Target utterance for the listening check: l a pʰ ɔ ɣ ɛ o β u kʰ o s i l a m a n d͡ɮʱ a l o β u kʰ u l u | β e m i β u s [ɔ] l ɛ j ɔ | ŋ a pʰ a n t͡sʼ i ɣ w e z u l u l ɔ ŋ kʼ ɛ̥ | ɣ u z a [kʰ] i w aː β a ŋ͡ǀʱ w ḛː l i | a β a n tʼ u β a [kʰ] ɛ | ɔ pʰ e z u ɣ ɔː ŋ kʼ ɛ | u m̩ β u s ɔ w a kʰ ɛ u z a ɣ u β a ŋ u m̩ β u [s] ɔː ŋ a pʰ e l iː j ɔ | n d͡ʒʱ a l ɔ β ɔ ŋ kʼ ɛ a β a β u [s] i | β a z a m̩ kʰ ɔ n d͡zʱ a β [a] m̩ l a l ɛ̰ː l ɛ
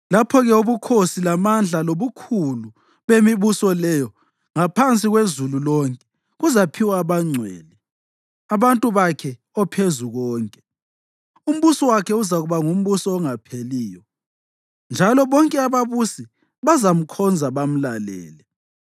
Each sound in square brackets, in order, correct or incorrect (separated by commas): correct, incorrect, correct, correct, correct, correct